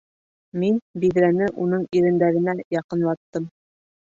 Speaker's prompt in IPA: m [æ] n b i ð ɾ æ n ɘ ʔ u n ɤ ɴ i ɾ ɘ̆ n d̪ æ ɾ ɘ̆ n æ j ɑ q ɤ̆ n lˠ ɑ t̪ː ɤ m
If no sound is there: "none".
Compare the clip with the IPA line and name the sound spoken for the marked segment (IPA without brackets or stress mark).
i